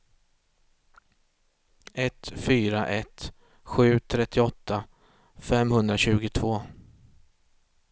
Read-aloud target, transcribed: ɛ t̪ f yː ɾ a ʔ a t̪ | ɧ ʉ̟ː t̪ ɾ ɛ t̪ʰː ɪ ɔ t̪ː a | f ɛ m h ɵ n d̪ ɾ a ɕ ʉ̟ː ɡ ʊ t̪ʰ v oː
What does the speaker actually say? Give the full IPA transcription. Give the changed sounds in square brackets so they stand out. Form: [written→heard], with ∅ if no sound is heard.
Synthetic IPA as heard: ɛ t̪ f yː ɾ a ʔ [a→ɛ] t̪ | ɧ ʉ̟ː [t̪→t̪ʰ] ɾ ɛ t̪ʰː ɪ ɔ t̪ː a | f ɛ m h ɵ n d̪ ɾ a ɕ ʉ̟ː ɡ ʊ t̪ʰ v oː